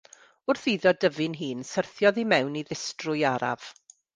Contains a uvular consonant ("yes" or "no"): no